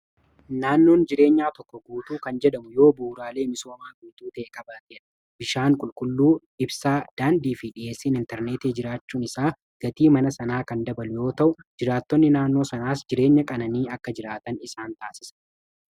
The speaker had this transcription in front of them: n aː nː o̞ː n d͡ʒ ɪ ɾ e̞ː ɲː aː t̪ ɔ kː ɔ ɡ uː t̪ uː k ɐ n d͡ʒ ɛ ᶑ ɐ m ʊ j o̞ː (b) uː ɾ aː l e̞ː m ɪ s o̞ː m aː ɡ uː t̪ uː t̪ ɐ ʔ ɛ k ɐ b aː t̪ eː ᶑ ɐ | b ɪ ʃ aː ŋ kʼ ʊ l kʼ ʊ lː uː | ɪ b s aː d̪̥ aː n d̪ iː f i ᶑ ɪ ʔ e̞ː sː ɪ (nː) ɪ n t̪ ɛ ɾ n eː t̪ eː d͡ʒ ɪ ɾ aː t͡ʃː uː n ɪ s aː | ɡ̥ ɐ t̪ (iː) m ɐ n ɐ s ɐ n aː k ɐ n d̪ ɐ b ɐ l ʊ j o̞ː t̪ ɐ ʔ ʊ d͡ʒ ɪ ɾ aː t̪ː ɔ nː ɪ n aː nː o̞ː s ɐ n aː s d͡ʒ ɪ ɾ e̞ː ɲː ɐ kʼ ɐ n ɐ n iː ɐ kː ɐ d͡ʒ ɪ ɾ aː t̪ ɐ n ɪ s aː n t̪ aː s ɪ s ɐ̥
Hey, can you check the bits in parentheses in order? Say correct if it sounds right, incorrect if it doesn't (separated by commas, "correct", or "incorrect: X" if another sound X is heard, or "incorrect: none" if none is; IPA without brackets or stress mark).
correct, incorrect: n, correct